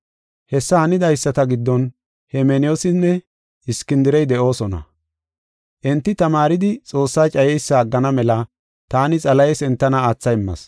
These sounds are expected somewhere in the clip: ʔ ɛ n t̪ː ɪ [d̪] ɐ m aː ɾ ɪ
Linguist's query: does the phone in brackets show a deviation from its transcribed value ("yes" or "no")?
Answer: yes